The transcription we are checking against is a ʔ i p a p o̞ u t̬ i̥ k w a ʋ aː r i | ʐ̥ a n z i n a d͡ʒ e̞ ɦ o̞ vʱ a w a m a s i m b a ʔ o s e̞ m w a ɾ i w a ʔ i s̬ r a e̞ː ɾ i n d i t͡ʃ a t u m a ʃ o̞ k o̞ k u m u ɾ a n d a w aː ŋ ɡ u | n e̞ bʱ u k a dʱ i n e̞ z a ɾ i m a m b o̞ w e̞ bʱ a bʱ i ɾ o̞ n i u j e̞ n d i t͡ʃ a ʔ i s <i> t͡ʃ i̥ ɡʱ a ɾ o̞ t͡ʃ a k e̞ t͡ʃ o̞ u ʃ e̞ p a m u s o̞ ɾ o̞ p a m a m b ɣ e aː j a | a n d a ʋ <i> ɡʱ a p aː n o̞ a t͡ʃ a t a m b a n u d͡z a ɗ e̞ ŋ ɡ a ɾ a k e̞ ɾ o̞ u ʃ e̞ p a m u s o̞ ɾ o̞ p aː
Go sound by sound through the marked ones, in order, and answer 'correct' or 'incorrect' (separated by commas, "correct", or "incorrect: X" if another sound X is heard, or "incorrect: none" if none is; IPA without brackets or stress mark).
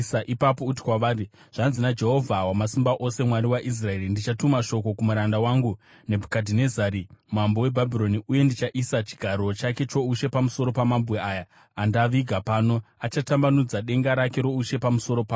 incorrect: a, correct